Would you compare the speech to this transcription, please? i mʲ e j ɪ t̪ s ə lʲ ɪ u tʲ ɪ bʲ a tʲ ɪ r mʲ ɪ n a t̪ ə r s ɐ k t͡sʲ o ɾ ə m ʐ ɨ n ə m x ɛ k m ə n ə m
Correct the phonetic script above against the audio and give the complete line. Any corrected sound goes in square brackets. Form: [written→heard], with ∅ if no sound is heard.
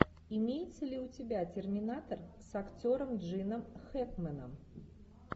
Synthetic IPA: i mʲ e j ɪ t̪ s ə lʲ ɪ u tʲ ɪ bʲ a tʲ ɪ r mʲ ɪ n a t̪ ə r s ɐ k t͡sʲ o ɾ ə m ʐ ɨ n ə m x ɛ k m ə n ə m